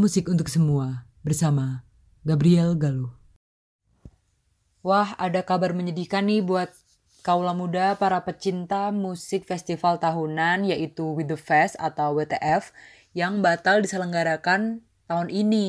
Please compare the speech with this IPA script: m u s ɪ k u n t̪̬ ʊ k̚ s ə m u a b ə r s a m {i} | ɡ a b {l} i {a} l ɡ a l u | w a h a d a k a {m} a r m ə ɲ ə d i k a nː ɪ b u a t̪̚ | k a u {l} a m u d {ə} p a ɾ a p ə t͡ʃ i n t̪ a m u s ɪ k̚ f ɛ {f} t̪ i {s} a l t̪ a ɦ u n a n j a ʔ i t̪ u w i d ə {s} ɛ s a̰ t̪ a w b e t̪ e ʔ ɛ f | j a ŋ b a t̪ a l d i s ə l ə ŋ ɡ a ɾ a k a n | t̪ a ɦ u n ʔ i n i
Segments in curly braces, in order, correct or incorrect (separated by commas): incorrect, incorrect, incorrect, incorrect, correct, incorrect, incorrect, incorrect, incorrect